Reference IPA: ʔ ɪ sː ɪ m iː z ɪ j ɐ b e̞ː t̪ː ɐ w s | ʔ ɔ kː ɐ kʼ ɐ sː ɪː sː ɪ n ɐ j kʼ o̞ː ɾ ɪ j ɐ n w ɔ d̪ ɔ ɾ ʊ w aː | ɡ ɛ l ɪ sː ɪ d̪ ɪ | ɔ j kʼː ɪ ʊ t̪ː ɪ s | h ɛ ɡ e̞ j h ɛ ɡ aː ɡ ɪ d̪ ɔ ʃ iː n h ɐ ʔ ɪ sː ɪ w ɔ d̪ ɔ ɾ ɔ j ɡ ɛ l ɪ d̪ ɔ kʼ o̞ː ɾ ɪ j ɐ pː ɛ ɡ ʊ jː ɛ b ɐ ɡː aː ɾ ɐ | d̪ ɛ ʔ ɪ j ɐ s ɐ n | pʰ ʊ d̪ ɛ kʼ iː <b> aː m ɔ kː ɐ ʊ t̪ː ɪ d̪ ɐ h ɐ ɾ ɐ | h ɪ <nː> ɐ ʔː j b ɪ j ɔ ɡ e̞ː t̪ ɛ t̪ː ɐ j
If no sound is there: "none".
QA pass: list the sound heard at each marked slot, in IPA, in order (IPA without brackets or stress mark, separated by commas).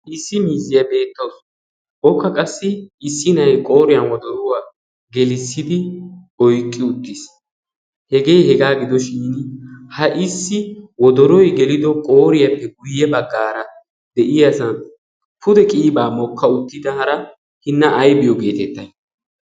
b, nː